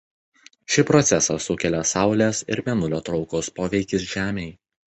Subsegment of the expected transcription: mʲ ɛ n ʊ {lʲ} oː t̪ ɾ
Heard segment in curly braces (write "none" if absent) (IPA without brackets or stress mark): lʲ